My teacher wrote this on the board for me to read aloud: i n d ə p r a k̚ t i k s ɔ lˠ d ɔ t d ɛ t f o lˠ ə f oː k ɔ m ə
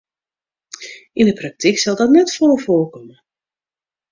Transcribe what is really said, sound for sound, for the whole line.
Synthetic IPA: i n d ə p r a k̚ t i k s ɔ lˠ d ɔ t n ɛ t f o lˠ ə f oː k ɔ m ə